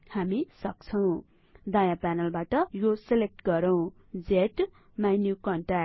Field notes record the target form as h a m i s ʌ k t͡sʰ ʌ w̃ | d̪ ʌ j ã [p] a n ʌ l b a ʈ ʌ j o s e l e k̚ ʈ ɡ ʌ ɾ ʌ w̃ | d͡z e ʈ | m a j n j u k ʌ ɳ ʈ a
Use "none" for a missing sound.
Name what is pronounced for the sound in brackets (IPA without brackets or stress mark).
p